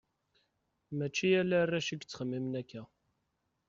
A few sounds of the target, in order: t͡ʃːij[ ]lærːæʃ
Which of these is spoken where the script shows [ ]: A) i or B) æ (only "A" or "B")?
B